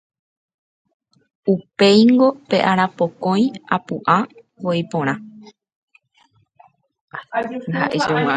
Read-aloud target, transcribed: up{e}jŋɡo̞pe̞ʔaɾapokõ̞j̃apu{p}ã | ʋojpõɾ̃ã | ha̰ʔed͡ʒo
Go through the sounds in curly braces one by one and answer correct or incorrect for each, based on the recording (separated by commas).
correct, incorrect